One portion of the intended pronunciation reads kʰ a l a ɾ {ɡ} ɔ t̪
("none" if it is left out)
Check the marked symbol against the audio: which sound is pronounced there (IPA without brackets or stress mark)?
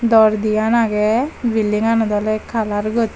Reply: ɡ